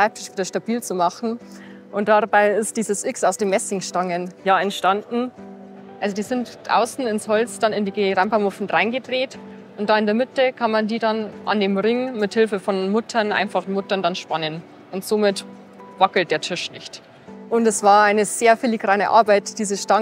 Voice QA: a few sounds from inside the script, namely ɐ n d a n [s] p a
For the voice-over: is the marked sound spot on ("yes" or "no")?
no